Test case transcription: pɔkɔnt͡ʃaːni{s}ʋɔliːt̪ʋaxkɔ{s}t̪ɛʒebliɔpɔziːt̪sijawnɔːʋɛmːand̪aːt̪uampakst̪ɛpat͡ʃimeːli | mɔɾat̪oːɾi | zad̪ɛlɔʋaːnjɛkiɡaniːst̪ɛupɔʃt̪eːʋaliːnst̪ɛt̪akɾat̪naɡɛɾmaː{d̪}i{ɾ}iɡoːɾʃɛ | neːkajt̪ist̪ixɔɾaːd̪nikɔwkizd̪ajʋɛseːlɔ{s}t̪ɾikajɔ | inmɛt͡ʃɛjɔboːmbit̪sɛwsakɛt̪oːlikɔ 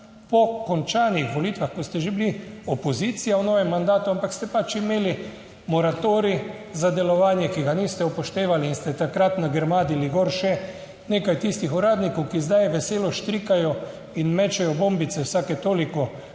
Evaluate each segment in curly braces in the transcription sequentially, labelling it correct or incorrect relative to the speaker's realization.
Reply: incorrect: x, correct, correct, incorrect: l, incorrect: ʃ

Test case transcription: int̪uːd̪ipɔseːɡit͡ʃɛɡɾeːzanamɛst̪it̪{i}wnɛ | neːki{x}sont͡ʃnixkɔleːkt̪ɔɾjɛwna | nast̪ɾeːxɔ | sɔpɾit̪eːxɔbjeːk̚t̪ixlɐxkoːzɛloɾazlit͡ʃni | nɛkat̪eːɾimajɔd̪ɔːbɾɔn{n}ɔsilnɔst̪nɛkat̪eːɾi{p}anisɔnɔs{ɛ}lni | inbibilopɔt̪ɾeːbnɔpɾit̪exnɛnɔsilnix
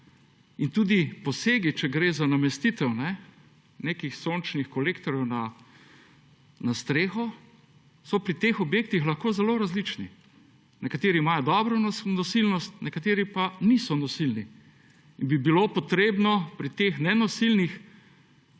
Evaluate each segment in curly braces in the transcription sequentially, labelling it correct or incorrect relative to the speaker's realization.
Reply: incorrect: ɛ, correct, correct, correct, incorrect: i

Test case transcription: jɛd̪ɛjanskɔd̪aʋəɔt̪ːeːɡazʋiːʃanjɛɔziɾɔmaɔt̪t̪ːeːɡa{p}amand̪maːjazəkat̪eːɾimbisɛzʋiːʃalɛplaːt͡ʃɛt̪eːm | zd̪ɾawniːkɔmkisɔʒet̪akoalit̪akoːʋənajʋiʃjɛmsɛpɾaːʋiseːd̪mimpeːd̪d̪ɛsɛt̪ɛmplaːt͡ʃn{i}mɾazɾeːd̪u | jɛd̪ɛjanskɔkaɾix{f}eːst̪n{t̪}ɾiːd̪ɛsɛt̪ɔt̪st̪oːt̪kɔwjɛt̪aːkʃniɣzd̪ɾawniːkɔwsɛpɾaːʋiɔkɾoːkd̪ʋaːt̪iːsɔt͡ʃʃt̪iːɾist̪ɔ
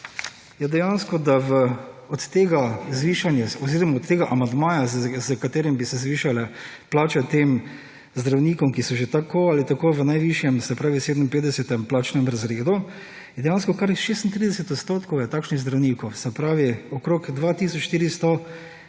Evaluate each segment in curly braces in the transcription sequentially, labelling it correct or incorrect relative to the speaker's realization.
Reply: incorrect: ʔ, incorrect: ɛ, incorrect: ʃ, correct

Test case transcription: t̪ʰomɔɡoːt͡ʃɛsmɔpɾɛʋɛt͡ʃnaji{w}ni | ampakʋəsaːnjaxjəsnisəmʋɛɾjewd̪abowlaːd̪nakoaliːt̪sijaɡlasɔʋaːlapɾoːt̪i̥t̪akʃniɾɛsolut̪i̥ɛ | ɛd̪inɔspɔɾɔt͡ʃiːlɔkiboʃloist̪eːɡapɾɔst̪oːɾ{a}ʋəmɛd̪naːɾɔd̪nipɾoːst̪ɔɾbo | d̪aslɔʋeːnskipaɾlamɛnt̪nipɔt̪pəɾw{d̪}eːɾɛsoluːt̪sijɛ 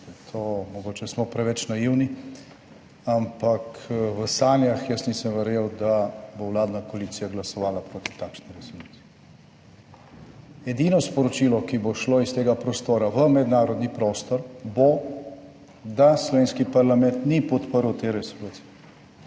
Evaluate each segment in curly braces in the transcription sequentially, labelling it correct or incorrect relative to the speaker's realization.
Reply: correct, correct, incorrect: t̪

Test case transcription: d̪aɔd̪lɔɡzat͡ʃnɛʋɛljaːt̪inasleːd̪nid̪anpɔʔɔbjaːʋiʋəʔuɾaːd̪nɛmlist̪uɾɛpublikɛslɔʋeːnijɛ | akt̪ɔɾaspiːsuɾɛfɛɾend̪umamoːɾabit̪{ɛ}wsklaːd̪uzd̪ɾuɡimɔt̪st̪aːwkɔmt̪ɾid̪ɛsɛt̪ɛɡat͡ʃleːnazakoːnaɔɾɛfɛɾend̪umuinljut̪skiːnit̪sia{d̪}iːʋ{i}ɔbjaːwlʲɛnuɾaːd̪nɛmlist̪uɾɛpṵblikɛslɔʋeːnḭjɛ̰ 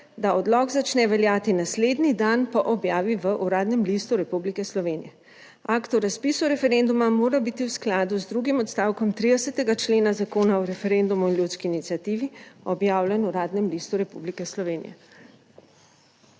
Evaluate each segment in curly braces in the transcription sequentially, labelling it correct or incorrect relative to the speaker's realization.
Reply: incorrect: i, incorrect: t̪, correct

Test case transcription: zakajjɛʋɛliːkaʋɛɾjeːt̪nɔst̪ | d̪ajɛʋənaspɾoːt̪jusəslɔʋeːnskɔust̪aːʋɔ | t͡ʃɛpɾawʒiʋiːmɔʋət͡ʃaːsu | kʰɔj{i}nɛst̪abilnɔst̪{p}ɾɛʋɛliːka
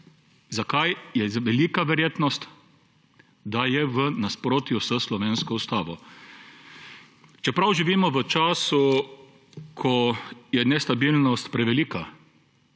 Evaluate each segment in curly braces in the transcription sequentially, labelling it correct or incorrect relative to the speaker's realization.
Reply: incorrect: ɛ, correct

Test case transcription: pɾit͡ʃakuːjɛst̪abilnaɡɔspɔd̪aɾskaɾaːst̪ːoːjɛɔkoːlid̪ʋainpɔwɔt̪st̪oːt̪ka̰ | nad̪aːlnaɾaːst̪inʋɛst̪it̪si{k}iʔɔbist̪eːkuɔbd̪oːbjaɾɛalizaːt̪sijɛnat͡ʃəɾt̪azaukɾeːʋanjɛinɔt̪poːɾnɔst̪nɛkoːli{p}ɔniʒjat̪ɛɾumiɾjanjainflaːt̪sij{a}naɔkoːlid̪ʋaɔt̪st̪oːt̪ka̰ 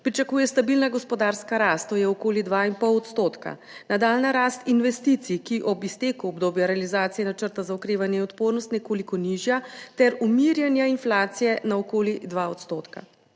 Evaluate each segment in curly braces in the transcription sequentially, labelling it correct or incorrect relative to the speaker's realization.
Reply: correct, incorrect: k, incorrect: ɛ

